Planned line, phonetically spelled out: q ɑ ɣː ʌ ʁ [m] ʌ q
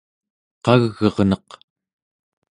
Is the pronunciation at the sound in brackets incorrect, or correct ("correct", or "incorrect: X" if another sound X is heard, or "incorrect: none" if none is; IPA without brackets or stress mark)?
incorrect: n